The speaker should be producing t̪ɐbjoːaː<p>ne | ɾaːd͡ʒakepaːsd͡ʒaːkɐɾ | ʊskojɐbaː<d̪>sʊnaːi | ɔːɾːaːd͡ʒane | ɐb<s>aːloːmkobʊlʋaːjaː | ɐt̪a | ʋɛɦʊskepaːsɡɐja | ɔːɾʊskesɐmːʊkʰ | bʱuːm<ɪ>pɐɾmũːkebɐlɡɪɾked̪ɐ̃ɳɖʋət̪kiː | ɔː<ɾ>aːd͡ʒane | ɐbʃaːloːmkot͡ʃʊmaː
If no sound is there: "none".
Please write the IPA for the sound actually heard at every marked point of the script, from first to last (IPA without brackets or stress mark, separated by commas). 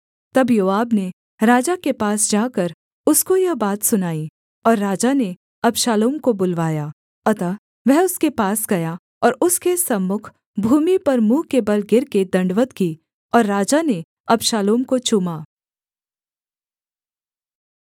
b, t̪, ʃ, i, ɾː